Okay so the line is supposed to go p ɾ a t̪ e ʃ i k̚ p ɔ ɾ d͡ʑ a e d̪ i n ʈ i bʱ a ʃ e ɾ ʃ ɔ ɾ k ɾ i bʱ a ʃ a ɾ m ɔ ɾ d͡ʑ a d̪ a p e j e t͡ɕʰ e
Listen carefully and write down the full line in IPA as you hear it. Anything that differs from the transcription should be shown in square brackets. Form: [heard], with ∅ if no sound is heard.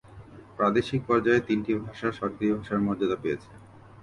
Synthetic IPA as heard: p ɾ a [d̪] e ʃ i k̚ p ɔ ɾ d͡ʑ a e [t̪] i n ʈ i bʱ a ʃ [a] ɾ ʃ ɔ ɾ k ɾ i bʱ a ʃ a ɾ m ɔ ɾ d͡ʑ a d̪ a p e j e t͡ɕʰ e